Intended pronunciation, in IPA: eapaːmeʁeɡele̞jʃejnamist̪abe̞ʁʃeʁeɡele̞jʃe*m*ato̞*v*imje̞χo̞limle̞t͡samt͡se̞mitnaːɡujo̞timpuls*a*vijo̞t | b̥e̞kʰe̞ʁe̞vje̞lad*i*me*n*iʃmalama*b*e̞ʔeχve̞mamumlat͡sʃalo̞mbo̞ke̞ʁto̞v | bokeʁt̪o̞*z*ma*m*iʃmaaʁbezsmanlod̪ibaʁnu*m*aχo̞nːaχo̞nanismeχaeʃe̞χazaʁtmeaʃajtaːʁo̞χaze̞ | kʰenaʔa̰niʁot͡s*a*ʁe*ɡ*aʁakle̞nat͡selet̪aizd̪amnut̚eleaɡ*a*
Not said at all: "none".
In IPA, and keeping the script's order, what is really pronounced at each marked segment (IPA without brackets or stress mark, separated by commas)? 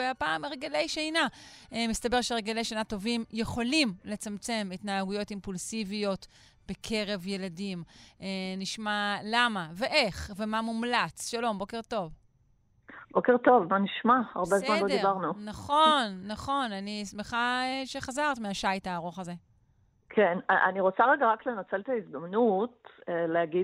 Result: n, v, i, i, n, v, v, n, n, a, ɡ, i